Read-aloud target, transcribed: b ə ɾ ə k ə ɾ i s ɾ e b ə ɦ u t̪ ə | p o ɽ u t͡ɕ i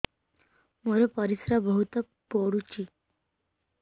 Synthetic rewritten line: m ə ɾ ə p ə ɾ i s ɾ a b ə ɦ u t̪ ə | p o ɽ u t͡ɕ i